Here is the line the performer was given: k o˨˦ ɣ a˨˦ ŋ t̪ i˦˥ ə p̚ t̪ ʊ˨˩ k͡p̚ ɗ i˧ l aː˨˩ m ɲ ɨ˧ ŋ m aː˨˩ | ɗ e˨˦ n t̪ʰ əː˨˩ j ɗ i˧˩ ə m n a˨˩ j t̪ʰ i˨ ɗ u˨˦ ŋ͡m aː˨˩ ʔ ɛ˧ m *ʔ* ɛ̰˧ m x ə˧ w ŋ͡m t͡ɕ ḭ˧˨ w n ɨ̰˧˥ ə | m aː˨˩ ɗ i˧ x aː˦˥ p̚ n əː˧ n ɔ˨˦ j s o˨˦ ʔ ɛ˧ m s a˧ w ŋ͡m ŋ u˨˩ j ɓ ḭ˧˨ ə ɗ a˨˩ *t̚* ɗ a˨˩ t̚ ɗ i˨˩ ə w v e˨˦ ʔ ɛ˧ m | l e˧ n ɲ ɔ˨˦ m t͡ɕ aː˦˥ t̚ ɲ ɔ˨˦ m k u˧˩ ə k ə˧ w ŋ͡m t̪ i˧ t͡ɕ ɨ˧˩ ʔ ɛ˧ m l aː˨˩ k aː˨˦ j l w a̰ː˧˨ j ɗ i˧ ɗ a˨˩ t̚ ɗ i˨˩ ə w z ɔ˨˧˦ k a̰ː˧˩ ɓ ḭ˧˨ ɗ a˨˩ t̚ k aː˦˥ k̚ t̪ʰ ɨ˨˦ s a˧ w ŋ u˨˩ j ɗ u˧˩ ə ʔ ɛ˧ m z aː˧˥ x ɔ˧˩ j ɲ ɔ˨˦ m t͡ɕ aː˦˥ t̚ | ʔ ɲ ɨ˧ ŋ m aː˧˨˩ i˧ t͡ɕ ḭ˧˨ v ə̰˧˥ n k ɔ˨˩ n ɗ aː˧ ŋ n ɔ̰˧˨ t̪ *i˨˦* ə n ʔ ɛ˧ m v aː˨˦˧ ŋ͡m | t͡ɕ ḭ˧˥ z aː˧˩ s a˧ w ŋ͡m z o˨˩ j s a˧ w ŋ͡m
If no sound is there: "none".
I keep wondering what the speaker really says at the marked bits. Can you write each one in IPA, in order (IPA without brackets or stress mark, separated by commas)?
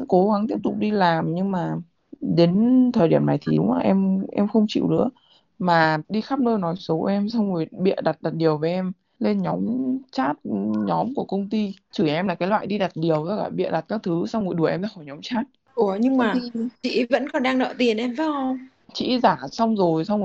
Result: ʔ, t̚, i˨˩